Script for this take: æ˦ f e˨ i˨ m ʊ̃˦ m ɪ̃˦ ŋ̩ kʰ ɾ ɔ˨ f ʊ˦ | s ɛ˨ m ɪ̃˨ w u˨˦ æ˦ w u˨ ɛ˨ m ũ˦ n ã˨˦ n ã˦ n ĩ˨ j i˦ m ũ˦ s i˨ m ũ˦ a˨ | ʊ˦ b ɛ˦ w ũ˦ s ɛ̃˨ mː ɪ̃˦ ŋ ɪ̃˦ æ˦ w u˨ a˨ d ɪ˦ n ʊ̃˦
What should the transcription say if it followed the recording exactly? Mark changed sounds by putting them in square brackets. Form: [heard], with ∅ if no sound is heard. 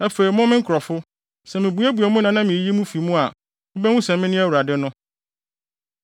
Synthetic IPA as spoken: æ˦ f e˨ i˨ m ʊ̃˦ m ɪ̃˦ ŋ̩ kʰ ɾ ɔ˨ f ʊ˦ | s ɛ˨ m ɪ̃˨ [b] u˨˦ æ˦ [b] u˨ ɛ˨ m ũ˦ n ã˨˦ n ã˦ [m] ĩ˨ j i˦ m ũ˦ [f] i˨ m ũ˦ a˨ | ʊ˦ b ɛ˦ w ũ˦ s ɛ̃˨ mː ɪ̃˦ [n] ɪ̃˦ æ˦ w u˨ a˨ d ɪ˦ n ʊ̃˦